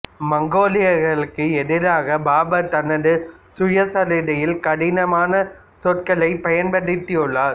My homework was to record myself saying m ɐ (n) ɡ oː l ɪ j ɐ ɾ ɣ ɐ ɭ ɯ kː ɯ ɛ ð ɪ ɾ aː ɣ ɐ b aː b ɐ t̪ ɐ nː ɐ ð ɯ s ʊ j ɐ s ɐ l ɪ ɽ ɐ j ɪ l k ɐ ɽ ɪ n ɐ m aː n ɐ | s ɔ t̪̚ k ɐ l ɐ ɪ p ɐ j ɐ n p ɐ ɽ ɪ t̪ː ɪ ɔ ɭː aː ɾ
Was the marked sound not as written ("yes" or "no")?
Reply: yes